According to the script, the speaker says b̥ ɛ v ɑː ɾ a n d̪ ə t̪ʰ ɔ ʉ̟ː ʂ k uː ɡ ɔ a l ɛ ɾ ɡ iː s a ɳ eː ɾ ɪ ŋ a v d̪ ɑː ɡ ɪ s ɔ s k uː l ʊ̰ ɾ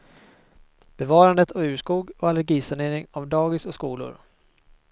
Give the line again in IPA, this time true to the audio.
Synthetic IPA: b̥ ɛ v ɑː ɾ a n d̪ ə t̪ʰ ɔ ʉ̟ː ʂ k uː ɡ ɔ a l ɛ ɾ ɡ iː s a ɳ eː ɾ ɪ ŋ a v d̪ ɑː ɡ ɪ s ɔ s k uː l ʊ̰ ɾ